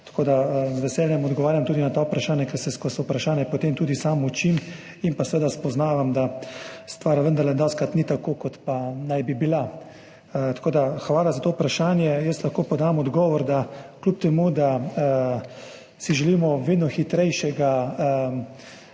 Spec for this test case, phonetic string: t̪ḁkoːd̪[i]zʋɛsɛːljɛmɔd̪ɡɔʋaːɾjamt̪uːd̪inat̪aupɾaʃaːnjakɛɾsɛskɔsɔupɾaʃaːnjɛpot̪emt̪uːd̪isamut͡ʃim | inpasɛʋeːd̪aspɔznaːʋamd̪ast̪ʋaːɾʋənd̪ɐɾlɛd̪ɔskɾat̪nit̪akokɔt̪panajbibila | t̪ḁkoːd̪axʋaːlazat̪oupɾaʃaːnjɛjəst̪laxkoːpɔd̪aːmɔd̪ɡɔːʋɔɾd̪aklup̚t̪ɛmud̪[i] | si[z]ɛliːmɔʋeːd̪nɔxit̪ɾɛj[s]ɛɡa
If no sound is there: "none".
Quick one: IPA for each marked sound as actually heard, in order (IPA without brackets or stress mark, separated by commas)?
a, a, ʒ, ʃ